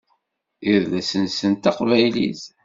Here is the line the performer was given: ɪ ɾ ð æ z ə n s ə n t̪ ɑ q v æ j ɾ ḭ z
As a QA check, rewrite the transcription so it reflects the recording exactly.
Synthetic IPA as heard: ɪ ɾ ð æ s ə n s ə n t̪ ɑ q v æ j l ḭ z